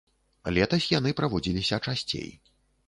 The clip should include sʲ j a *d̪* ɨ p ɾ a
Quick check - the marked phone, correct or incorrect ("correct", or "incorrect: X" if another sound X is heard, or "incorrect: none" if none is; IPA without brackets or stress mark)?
incorrect: n̪